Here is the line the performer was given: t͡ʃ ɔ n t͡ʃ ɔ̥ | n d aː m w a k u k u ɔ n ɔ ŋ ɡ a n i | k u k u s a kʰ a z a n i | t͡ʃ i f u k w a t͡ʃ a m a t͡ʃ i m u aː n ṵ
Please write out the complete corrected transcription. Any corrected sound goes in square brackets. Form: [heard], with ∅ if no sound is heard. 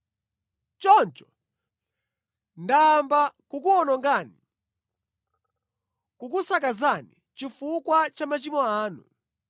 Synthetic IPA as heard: t͡ʃ ɔ n t͡ʃ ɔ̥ | n d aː m [b] a k u k u ɔ n ɔ ŋ ɡ a n i | k u k u s a [k] a z a n i | t͡ʃ i f u k w a t͡ʃ a m a t͡ʃ i m [ɔ] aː n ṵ